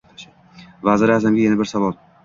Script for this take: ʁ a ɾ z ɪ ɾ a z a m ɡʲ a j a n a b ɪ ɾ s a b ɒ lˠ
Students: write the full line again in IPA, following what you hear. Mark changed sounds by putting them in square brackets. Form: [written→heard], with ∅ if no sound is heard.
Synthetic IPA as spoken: [ʁ→v] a [ɾ→∅] z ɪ ɾ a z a m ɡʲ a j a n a b ɪ ɾ s a [b→v] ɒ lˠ